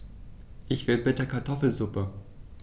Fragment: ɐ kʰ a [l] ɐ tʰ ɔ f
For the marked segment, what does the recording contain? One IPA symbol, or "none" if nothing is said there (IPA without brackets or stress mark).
none